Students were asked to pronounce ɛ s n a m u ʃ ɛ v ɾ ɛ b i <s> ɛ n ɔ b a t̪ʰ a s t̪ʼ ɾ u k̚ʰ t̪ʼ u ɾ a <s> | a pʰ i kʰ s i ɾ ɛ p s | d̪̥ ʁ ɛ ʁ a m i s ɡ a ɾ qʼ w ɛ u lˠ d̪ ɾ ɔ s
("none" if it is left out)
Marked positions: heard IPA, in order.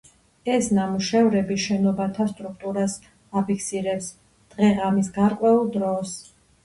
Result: ʃ, s

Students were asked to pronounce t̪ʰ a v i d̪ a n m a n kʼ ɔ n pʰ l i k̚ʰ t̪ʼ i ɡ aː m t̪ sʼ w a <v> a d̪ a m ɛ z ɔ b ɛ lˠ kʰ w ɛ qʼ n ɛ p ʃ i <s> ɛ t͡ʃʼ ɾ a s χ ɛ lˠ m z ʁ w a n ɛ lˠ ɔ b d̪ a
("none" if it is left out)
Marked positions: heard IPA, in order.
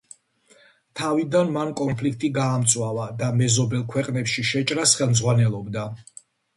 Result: v, ʃ

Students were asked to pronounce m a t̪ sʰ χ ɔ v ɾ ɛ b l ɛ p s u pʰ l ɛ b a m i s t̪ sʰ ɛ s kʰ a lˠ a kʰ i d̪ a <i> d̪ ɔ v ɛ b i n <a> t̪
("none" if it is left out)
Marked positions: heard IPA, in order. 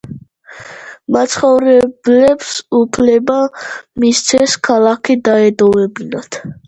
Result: ɛ, a

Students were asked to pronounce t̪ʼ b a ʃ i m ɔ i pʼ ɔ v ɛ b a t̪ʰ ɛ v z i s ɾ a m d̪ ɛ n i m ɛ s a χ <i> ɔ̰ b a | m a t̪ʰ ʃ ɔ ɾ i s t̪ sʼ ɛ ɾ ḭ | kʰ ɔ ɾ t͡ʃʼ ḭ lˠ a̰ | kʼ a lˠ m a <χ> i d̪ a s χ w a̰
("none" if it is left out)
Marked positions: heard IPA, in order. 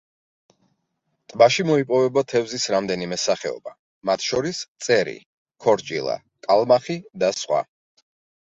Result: ɛ, χ

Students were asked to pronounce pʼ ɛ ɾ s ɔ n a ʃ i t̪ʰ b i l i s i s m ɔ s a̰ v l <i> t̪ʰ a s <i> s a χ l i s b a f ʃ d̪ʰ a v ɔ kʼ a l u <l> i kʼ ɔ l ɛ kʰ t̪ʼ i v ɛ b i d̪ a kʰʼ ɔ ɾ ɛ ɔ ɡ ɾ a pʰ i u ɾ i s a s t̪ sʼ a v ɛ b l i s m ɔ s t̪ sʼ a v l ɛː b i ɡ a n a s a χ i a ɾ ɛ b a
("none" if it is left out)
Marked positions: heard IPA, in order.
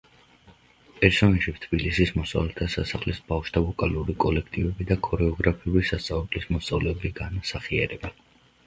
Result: ɛ, a, ɾ

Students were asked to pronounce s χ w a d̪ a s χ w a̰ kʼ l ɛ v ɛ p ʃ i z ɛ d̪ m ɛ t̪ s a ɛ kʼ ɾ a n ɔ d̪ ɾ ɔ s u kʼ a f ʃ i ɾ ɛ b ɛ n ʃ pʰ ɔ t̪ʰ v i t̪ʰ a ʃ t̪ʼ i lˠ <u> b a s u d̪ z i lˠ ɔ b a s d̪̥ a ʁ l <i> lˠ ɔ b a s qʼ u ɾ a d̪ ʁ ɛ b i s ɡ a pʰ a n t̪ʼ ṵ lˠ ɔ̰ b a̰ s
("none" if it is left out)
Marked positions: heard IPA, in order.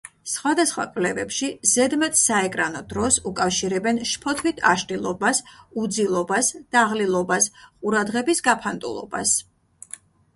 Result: ɔ, i

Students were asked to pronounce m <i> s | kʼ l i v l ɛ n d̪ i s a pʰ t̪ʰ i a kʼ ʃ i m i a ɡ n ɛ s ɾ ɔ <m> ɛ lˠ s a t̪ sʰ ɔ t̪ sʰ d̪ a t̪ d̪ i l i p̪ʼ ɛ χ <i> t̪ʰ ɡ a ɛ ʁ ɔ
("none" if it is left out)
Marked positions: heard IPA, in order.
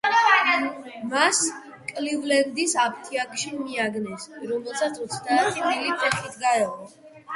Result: a, m, i

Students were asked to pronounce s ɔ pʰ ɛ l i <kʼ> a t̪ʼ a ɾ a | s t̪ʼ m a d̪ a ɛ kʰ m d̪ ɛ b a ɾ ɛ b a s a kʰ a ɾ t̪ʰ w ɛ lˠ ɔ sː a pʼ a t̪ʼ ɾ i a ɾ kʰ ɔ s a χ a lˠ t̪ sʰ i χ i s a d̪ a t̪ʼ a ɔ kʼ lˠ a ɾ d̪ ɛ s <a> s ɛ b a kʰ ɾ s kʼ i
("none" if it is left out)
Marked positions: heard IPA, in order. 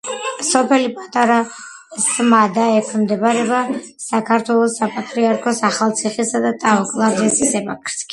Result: pʼ, i

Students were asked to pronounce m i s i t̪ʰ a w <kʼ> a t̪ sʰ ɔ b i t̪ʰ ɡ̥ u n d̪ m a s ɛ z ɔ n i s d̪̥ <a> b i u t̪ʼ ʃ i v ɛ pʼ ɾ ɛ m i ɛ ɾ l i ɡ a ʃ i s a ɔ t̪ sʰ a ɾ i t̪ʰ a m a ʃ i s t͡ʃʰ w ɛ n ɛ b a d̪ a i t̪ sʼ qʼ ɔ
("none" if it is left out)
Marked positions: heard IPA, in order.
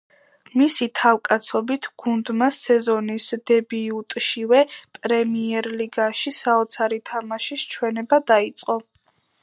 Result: kʼ, ɛ

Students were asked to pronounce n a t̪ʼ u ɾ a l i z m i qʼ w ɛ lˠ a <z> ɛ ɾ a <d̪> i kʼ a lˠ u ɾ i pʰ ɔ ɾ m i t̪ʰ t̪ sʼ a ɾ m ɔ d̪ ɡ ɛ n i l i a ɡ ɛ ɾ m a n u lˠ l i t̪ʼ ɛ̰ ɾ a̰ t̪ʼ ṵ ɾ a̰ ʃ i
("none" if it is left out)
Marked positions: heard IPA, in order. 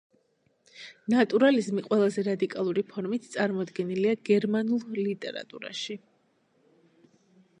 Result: z, d̪

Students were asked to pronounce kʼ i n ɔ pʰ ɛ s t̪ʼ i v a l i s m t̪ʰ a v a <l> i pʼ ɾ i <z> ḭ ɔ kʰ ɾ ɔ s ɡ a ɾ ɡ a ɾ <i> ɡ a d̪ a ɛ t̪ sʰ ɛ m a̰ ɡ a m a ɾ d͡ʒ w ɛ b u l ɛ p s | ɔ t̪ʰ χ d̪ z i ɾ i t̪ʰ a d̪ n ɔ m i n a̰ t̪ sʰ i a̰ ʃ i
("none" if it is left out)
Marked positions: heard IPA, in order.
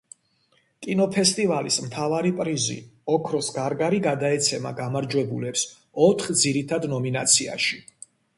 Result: ɾ, z, i

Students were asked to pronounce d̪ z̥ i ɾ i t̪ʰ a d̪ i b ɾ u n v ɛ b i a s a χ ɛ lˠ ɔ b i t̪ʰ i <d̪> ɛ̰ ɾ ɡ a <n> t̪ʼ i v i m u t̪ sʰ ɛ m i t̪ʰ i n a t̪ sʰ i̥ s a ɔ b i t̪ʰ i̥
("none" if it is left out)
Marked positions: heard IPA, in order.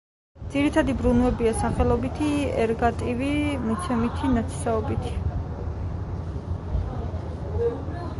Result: none, none

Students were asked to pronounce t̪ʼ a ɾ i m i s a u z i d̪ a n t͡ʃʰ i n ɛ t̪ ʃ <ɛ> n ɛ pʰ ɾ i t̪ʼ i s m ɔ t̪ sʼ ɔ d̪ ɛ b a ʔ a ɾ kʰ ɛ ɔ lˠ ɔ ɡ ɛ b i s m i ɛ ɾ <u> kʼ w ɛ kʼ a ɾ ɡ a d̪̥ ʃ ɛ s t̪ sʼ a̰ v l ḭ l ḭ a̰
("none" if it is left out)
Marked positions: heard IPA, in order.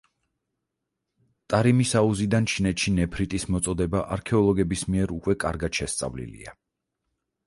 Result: i, u

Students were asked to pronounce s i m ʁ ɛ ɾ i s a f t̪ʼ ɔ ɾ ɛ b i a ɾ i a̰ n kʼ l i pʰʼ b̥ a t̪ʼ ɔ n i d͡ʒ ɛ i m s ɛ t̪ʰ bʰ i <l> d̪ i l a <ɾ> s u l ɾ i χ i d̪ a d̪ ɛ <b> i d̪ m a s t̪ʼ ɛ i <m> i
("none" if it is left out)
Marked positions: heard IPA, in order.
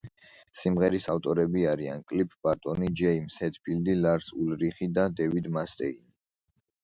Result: l, ɾ, v, n

